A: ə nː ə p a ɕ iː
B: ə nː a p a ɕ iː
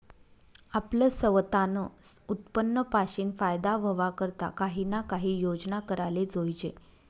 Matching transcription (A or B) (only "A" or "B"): A